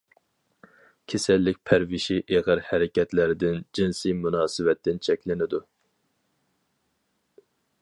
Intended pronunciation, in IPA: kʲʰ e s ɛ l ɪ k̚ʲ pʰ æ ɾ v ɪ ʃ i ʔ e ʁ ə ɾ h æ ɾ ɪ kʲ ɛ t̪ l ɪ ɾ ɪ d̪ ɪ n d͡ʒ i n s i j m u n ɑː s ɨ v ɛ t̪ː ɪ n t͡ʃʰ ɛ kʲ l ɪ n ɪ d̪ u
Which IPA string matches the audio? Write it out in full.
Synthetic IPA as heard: kʲʰ e s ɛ lː ɪ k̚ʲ pʰ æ ɾ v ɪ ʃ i ʔ e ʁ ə ɾ h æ ɾ ɪ kʲ ɛ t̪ l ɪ ɾ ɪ d̪ ɪ n d͡ʒ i n s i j m u n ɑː s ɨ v ɛ t̪ː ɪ n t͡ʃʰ ɛ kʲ l ɪ n ɪ d̪ u